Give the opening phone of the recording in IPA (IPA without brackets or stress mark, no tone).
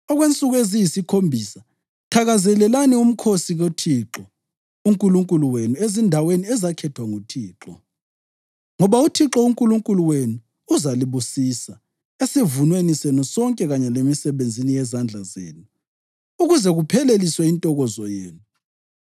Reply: ɔ